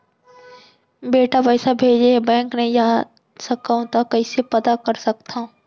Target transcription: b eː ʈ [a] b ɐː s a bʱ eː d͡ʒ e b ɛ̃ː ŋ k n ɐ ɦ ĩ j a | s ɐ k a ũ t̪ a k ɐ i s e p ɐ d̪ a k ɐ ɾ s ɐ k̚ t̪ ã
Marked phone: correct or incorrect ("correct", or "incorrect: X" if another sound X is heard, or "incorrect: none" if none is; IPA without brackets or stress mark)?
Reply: correct